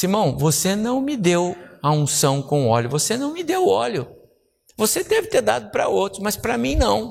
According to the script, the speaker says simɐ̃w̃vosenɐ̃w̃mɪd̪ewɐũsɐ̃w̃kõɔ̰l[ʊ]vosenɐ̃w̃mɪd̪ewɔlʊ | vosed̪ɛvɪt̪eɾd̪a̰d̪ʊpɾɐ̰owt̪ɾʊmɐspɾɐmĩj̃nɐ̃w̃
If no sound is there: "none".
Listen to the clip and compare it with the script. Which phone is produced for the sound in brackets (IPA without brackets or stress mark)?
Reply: ʊ